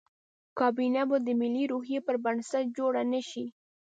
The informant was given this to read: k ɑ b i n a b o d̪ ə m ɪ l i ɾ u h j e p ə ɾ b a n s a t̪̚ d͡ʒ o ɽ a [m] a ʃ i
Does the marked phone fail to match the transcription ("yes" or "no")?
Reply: yes